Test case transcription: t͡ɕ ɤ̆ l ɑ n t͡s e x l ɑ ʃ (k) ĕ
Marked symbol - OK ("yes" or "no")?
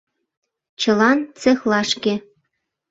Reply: yes